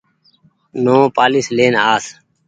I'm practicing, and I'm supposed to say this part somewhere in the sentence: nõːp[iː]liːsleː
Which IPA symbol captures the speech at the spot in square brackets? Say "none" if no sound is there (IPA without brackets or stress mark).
aː